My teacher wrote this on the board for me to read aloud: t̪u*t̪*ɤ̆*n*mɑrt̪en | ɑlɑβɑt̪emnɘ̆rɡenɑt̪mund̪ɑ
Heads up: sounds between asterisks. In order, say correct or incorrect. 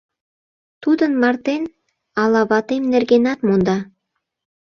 incorrect: d̪, correct

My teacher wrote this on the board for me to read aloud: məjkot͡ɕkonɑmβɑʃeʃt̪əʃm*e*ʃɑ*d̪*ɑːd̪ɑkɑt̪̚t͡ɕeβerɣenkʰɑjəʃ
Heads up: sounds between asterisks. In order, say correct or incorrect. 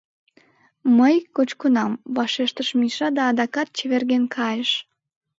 incorrect: i, correct

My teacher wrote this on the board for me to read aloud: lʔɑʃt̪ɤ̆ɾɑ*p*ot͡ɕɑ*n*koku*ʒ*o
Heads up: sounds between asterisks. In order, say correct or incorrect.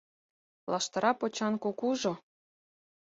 correct, correct, correct

